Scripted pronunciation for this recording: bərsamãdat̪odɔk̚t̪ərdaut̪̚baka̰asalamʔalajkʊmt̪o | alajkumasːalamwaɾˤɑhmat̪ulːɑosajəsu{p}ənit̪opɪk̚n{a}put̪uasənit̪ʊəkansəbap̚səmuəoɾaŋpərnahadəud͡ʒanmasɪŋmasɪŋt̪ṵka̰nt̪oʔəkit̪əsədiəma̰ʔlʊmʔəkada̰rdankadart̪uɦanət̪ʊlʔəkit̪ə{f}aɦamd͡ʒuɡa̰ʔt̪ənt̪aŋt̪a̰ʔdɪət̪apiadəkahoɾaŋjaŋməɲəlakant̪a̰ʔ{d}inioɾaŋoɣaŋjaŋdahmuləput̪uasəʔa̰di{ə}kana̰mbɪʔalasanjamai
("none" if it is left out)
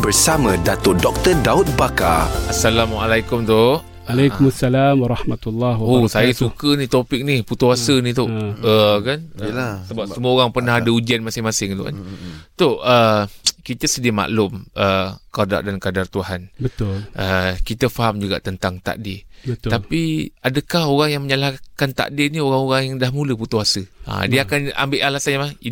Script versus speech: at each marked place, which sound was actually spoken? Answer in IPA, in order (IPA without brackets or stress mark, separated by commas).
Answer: k, i, f, d, a